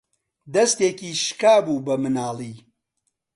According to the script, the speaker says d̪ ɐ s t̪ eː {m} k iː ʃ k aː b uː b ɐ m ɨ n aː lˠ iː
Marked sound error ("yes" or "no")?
yes